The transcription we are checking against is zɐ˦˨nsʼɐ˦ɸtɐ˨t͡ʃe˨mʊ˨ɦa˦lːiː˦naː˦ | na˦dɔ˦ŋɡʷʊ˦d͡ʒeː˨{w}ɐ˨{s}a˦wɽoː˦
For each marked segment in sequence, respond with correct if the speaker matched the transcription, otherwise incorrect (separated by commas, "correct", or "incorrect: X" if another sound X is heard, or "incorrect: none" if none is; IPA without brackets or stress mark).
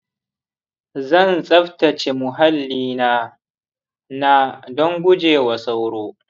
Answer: correct, correct